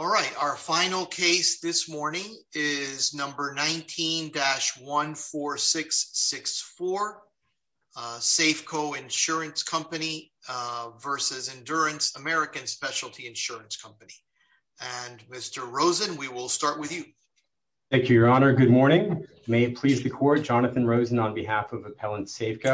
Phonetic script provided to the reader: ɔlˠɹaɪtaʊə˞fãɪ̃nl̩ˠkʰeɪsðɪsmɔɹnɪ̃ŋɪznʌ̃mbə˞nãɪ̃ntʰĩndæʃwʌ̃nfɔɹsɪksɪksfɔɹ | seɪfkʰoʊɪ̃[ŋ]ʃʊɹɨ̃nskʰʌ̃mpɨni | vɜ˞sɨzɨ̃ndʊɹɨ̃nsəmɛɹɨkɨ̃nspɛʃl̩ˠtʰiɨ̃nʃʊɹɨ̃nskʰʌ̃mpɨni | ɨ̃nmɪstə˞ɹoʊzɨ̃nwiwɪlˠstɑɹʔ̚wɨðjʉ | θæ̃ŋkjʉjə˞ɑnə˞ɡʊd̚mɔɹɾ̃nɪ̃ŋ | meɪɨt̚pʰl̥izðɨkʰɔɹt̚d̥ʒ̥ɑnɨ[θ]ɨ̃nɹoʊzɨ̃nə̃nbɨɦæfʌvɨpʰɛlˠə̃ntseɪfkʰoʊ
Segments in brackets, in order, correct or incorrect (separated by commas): incorrect, correct